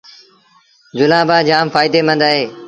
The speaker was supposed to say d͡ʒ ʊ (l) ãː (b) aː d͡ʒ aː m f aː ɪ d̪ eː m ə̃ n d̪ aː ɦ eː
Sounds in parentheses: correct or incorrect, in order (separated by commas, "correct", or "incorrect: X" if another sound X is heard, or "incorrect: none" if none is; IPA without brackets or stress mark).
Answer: correct, correct